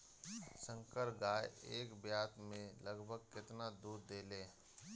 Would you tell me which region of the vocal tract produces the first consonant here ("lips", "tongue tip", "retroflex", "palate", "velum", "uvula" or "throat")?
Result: tongue tip